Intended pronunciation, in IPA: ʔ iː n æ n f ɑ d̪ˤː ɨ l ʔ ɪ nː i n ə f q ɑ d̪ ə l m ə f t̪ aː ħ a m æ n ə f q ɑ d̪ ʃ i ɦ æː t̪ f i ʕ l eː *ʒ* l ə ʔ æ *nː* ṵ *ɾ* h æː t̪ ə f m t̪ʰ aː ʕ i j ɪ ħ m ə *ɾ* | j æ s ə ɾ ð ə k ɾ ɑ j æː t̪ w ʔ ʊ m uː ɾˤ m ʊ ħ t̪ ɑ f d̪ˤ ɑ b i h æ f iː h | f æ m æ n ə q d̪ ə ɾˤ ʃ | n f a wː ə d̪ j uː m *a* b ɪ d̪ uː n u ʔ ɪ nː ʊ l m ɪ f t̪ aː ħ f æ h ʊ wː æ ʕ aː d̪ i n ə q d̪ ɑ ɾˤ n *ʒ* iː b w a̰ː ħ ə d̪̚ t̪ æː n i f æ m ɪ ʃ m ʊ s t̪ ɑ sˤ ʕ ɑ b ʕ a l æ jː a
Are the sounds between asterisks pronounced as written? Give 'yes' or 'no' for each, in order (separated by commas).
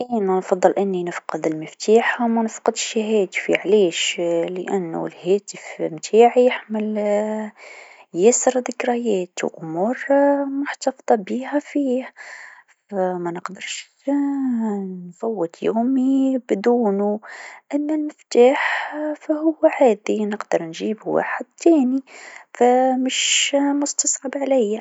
no, yes, no, no, no, yes